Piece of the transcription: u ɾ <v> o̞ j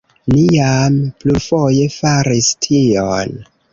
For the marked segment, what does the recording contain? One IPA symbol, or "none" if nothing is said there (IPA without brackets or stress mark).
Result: f